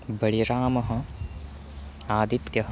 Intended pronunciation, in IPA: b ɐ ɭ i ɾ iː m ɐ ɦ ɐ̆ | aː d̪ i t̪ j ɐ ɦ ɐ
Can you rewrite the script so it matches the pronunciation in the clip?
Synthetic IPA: b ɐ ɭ i ɾ aː m ɐ ɦ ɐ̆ | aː d̪ i t̪ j ɐ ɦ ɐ